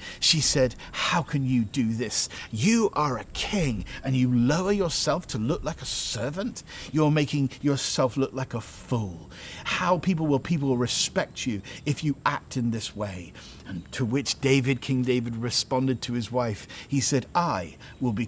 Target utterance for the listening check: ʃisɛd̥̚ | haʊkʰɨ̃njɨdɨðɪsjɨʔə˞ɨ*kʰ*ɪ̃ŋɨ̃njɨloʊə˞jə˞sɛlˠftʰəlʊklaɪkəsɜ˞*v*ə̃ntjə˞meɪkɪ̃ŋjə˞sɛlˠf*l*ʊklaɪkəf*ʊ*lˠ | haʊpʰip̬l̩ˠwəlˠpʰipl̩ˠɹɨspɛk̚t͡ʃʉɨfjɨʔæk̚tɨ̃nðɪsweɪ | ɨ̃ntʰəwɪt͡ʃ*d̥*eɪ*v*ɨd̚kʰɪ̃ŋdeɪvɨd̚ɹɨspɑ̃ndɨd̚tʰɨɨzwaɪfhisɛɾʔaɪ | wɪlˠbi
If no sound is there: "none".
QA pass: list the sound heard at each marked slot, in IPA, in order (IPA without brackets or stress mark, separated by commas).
kʰ, v, l, u, d̥, v